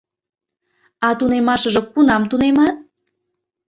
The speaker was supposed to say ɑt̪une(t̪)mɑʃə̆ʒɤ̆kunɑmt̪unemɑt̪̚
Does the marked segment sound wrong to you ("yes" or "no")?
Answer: yes